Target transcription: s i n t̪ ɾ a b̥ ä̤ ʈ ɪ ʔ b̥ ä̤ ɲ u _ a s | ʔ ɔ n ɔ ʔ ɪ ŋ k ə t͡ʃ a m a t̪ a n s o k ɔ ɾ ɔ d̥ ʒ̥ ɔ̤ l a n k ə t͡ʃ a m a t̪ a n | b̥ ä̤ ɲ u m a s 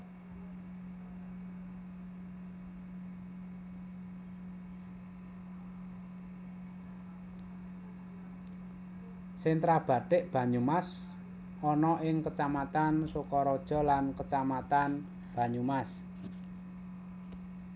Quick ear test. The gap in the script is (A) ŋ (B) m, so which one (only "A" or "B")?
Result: B